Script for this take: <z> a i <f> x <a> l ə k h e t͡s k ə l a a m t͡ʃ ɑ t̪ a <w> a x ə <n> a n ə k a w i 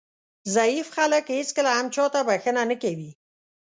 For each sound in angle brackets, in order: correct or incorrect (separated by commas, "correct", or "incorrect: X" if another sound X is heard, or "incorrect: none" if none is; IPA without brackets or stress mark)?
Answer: correct, correct, correct, incorrect: b, correct